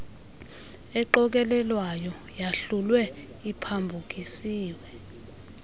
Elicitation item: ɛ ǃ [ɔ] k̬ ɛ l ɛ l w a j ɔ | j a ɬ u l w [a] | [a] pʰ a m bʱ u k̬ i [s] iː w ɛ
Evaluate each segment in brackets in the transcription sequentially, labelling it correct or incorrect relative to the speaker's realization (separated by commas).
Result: correct, incorrect, incorrect, correct